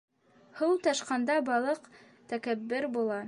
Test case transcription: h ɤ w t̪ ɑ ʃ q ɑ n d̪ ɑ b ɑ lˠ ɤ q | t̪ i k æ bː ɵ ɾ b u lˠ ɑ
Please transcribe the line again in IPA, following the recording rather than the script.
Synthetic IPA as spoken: h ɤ w t̪ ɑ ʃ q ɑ n d̪ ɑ b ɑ lˠ ɤ q | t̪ æ k æ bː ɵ ɾ b u lˠ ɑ